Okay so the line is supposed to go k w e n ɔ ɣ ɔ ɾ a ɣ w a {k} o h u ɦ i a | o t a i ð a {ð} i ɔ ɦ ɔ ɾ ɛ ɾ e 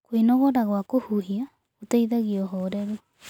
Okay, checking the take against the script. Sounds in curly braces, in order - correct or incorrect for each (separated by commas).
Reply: correct, incorrect